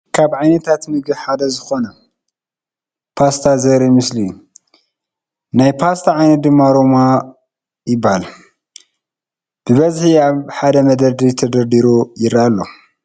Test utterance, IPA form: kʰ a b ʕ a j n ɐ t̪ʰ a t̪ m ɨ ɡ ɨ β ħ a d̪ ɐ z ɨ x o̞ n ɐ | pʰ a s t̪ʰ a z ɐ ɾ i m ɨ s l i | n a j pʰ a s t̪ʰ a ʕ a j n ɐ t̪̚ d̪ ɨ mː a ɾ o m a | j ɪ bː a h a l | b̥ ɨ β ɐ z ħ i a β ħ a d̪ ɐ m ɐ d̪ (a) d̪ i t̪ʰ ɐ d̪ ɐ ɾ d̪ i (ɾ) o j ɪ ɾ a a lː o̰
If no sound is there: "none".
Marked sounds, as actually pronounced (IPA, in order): ɐ, ɾ

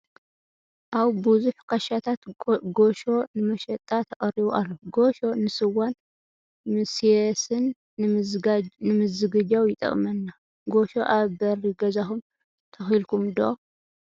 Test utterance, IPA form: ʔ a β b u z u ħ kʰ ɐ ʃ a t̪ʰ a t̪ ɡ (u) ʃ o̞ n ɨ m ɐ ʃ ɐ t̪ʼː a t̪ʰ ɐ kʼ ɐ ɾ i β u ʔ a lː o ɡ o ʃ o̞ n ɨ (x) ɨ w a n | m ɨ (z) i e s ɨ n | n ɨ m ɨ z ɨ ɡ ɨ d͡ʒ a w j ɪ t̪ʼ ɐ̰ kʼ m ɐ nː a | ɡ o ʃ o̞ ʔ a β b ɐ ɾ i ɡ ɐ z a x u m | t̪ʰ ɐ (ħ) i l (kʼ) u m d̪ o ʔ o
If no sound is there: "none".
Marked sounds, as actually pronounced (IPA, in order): o, s, s, x, k

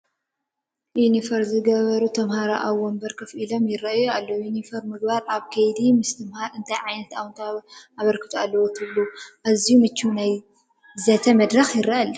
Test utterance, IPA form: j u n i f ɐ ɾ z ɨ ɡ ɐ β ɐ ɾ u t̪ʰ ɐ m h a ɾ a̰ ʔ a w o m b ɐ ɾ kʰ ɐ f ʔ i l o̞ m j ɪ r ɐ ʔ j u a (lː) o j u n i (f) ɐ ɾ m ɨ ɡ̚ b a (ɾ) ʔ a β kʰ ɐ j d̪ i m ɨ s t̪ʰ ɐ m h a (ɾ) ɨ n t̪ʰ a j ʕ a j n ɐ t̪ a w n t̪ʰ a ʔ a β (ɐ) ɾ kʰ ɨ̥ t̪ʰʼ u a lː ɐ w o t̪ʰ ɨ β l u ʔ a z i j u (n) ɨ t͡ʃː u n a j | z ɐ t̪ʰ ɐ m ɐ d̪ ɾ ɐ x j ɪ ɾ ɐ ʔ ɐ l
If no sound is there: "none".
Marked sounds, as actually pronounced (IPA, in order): lː, f, ɾ, ɾ, ɐ, m

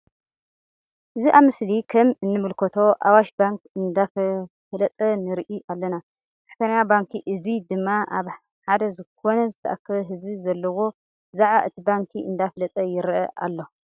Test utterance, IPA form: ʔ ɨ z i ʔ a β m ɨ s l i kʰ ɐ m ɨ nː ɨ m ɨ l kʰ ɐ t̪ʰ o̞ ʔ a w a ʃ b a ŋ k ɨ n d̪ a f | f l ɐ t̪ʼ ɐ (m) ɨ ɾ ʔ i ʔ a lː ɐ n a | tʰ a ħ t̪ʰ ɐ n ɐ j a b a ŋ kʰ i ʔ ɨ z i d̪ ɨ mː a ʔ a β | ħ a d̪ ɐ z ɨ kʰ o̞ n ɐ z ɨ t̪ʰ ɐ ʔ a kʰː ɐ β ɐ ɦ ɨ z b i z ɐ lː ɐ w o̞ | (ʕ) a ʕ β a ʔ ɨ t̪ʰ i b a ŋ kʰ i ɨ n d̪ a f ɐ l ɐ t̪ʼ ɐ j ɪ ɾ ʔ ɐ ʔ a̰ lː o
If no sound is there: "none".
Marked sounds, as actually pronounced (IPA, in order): n, z

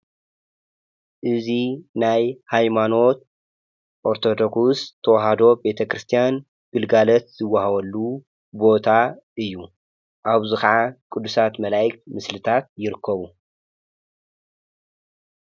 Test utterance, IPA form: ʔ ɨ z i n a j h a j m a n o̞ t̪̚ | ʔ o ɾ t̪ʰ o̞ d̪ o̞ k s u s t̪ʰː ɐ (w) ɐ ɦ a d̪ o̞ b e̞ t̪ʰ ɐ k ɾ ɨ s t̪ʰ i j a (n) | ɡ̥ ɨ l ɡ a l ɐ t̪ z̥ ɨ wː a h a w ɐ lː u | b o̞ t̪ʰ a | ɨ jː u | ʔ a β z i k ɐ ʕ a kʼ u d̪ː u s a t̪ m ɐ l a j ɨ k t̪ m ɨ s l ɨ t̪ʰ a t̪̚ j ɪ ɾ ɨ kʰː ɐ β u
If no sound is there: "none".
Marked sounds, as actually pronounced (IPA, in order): w, n

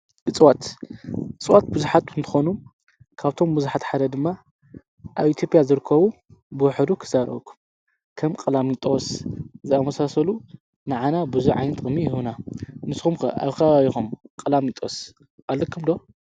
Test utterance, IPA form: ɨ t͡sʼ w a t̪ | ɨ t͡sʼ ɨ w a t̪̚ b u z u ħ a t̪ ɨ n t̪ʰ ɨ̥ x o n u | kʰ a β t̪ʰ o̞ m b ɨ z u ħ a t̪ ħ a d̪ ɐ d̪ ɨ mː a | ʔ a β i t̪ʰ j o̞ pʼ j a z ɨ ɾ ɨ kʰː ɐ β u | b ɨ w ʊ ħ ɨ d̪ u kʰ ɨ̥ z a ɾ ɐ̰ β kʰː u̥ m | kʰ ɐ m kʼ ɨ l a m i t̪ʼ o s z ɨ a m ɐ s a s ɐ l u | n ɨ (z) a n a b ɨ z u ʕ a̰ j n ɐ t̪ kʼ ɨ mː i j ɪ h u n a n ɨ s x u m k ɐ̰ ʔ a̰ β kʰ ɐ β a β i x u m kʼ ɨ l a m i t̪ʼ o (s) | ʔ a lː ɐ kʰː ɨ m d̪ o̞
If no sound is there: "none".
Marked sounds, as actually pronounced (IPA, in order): ʕ, s

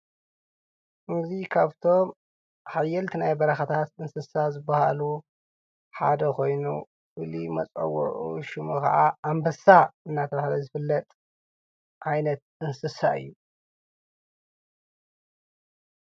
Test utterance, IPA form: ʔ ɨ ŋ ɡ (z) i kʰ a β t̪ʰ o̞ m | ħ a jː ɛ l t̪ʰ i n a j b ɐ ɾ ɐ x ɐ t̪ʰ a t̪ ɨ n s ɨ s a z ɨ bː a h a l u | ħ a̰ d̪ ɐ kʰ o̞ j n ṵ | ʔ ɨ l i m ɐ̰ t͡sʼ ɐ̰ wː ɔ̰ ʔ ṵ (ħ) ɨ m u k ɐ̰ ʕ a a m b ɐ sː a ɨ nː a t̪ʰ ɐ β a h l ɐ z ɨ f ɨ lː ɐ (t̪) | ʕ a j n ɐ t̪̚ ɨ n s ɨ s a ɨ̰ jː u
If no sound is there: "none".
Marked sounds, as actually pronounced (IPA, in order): z, ʃ, t̪ʼ

